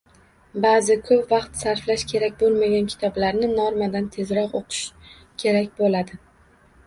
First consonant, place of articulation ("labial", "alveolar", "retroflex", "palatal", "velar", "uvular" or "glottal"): labial